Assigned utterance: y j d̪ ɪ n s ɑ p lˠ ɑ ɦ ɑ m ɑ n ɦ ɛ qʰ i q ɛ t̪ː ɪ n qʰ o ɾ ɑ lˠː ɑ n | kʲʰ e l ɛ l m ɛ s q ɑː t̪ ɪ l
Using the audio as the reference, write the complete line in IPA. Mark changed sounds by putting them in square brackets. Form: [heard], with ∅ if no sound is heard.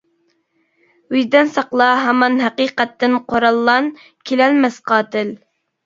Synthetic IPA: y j d̪ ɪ n s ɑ [q] lˠ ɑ ɦ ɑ m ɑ n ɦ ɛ [q] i q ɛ t̪ː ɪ n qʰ o ɾ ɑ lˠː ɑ n | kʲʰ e l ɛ l m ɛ s q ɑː t̪ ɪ l